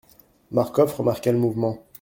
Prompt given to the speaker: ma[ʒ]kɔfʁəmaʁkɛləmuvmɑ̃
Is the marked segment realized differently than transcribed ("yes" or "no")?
yes